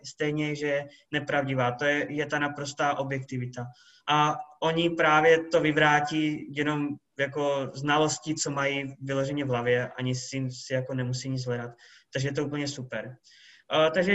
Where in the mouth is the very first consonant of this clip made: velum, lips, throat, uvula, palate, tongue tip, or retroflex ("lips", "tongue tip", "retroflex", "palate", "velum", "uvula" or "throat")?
tongue tip